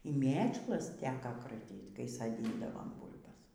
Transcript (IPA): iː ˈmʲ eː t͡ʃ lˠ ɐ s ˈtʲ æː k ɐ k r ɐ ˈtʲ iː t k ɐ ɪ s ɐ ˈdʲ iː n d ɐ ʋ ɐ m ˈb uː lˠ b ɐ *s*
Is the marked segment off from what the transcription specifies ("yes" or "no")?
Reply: no